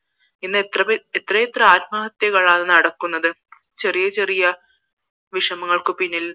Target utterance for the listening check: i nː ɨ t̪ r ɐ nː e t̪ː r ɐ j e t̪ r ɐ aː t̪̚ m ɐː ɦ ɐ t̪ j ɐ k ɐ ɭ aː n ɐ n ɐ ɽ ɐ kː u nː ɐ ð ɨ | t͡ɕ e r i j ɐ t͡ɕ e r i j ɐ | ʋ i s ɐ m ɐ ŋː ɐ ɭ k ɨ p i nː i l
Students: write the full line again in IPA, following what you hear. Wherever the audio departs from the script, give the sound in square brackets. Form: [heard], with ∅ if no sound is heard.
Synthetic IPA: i nː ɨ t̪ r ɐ [∅] e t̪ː r ɐ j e t̪ r ɐ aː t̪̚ m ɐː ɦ ɐ t̪ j ɐ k ɐ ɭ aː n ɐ n ɐ ɽ ɐ kː u nː ɐ ð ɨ | t͡ɕ e r i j ɐ t͡ɕ e r i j ɐ | ʋ i [ʂ] ɐ m ɐ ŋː ɐ ɭ k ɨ p i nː i l